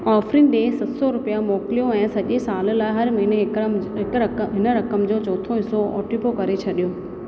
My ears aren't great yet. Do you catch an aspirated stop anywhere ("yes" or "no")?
yes